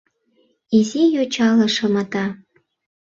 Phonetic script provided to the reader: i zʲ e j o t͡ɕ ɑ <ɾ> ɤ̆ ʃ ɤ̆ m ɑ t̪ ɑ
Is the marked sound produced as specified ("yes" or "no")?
no